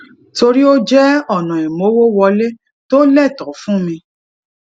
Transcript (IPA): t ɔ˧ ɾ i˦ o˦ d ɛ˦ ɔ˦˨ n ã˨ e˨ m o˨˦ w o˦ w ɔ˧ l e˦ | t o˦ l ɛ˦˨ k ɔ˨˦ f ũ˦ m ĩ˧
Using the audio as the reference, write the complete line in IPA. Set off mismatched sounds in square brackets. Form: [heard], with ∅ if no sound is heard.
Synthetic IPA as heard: t [o˧] ɾ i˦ o˦ [d͡ʒ] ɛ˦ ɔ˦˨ n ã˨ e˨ m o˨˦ w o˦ w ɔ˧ l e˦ | t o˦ l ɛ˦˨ [t] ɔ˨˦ f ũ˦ m ĩ˧

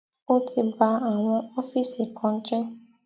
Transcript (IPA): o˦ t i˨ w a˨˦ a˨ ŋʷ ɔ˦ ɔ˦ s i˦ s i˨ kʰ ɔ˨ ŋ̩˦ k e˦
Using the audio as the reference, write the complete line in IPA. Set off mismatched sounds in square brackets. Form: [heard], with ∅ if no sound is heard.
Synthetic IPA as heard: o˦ t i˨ [b] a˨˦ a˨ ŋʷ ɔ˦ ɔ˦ [f] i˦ s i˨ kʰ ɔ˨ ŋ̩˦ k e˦

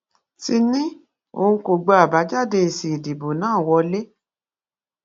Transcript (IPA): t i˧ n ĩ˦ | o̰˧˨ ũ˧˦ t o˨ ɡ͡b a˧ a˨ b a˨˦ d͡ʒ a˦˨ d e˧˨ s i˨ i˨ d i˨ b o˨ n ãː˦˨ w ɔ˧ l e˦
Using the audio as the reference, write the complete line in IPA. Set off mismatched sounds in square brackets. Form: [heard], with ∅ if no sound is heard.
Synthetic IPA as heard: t i˧ n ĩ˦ | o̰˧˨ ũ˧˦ [k] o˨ ɡ͡b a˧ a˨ b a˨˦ d͡ʒ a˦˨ d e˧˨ s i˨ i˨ d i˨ b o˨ n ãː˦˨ w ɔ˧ l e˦

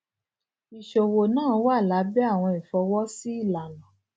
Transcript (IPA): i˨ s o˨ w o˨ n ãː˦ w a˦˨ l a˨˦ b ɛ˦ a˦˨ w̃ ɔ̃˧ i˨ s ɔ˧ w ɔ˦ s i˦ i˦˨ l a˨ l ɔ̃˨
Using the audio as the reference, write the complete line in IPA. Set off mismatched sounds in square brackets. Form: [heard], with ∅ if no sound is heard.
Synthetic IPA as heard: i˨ [ʃ] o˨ w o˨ n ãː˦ w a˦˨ l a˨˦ b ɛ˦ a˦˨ w̃ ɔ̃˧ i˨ [f] ɔ˧ w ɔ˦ s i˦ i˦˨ l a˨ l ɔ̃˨

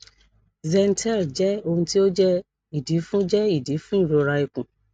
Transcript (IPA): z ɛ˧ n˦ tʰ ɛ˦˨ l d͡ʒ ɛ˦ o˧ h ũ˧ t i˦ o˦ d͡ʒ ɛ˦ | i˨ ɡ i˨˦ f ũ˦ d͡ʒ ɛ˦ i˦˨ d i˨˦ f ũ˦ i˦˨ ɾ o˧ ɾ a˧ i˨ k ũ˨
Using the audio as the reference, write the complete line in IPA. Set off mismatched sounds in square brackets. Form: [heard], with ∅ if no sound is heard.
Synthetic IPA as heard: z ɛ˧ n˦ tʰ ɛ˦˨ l d͡ʒ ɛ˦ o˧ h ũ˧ t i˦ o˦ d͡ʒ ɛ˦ | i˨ [d] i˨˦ f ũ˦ d͡ʒ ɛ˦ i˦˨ d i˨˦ f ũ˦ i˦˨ ɾ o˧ ɾ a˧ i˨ k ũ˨

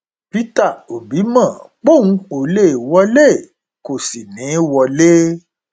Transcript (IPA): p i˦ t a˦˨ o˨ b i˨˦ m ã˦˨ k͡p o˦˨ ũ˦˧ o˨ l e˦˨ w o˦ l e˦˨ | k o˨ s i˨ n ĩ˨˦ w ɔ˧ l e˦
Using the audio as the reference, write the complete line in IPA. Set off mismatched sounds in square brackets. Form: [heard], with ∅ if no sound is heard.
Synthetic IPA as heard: p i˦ t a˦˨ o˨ b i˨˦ m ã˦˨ k͡p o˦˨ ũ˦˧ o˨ l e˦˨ w [ɔ˦] l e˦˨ | k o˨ s i˨ n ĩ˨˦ w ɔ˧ l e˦

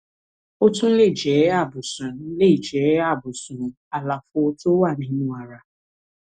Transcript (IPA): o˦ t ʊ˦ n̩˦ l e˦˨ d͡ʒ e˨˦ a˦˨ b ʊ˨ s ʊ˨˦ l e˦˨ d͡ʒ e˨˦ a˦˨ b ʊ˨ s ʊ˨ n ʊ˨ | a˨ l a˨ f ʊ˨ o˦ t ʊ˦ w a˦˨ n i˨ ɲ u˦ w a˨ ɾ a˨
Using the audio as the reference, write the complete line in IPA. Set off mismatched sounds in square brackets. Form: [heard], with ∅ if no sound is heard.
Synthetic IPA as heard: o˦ t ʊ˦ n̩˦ l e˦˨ d͡ʒ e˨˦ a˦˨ b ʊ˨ s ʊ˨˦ l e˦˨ d͡ʒ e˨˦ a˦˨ b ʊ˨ s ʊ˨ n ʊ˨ | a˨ l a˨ f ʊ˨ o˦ t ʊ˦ w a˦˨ n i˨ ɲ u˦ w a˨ ɾ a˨

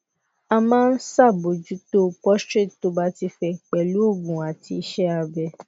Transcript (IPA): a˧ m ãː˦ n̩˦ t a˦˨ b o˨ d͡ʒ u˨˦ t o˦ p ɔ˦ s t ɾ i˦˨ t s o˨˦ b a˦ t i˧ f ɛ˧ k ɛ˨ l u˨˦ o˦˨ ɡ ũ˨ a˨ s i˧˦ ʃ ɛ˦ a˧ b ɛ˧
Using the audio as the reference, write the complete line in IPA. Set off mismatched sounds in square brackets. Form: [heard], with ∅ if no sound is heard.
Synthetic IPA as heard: a˧ m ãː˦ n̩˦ [s] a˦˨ b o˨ d͡ʒ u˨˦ t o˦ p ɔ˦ s t ɾ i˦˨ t [t] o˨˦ b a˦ t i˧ f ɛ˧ [k͡p] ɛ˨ l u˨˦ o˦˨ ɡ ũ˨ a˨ [t] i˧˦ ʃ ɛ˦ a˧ b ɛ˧

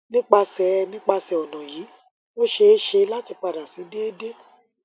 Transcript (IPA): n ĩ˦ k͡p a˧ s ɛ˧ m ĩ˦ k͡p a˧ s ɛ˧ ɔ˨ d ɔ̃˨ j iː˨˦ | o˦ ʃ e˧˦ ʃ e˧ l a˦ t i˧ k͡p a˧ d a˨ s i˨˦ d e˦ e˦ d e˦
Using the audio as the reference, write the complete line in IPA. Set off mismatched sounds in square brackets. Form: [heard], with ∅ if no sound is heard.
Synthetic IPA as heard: n ĩ˦ k͡p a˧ s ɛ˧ [n] ĩ˦ k͡p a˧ s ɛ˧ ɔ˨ [n] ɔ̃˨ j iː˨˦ | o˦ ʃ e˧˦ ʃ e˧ l a˦ t i˧ k͡p a˧ d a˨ s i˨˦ d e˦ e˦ d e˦

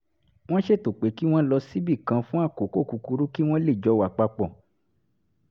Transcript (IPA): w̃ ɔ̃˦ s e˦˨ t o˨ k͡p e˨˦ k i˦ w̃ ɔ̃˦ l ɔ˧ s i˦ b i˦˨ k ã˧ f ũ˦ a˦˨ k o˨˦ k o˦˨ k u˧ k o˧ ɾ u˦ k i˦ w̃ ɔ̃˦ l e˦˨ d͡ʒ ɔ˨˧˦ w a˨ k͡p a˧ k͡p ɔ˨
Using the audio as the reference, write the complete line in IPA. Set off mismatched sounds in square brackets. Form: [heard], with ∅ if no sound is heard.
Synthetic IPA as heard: w̃ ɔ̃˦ [ʃ] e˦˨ t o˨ k͡p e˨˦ k i˦ w̃ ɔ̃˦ l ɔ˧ s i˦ b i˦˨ k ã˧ f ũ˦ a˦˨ k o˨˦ k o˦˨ k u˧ k [u˧] ɾ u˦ k i˦ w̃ ɔ̃˦ l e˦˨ d͡ʒ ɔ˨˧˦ w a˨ k͡p a˧ k͡p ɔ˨

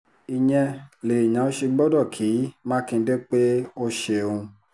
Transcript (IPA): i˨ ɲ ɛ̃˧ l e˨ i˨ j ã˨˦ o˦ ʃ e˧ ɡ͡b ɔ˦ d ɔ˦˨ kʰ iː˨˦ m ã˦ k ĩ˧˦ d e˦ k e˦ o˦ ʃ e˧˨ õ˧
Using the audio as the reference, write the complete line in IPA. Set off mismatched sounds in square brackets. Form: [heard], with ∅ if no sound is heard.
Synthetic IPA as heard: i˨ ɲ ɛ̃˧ l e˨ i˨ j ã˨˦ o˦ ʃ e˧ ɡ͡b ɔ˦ d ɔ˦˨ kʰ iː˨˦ m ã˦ k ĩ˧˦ d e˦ [k͡p] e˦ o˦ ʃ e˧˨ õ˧

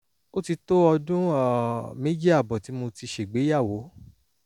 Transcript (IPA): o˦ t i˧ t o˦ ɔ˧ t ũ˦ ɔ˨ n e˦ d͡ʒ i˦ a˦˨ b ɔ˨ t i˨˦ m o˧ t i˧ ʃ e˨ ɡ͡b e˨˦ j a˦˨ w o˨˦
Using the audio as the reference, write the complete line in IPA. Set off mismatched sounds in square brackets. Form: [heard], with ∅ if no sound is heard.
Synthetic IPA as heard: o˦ t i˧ t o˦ ɔ˧ [d] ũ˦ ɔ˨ [m] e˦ d͡ʒ i˦ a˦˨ b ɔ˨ t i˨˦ m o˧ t i˧ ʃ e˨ ɡ͡b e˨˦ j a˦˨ w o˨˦

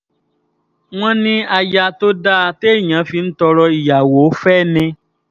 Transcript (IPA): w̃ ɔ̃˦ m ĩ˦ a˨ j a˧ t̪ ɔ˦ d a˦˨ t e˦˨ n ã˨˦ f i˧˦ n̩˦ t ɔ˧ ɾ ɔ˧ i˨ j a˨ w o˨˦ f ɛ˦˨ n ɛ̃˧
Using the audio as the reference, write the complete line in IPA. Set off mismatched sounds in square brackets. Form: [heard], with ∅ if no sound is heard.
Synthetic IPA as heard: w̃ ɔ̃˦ [n] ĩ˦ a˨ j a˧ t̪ [o˦] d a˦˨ t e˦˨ [ɲ] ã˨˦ f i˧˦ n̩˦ t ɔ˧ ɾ ɔ˧ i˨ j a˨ w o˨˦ f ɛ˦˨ n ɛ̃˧

